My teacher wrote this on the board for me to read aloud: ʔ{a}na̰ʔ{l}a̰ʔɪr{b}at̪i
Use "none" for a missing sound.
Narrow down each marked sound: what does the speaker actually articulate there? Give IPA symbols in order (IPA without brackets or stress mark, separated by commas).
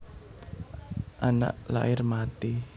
a, l, m